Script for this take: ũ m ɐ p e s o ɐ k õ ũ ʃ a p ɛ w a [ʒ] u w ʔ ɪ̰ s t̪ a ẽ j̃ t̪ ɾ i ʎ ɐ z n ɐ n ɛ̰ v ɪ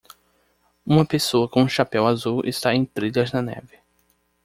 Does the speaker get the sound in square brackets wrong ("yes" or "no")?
yes